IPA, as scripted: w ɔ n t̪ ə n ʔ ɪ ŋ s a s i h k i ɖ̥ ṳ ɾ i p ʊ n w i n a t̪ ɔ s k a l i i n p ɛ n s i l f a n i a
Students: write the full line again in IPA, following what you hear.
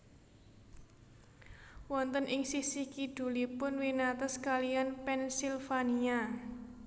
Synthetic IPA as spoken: w ɔ n t̪ ə n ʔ ɪ ŋ s i s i h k i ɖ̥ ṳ l i p ʊ n w i n a t̪ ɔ s k a l i a n p ɛ n s i l f a n i a